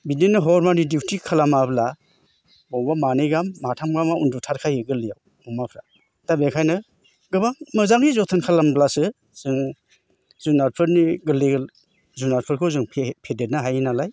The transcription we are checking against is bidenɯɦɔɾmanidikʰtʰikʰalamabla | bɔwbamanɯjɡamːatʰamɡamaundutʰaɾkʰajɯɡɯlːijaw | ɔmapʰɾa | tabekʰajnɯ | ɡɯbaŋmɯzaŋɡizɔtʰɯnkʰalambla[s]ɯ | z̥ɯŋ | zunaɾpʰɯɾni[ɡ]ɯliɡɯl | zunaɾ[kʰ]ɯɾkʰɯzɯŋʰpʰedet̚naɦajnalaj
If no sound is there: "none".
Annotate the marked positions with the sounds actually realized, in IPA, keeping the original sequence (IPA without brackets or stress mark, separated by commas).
s, ɡ, pʰ